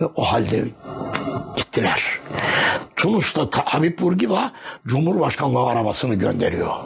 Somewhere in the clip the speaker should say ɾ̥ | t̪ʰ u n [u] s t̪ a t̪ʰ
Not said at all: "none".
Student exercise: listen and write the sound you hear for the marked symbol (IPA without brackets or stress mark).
u